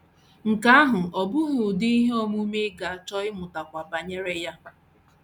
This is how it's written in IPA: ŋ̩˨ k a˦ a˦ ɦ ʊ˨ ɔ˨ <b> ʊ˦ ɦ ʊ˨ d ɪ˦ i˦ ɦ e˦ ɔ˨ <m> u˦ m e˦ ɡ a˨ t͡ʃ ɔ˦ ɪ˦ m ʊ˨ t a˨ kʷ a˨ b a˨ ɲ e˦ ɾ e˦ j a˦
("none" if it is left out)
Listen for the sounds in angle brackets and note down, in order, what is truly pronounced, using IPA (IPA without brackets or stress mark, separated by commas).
b, m